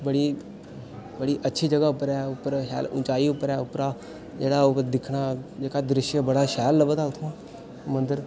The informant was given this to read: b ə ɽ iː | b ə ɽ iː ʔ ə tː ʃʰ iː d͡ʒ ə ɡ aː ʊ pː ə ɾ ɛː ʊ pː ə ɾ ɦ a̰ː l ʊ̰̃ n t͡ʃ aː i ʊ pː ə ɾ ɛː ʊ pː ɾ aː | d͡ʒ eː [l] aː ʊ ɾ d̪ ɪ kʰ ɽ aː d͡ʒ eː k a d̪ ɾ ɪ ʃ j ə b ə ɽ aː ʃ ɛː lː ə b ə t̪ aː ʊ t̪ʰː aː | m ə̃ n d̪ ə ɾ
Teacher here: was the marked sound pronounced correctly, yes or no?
no